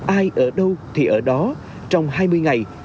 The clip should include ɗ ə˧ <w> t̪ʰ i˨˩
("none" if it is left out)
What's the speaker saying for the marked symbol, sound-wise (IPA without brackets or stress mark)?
w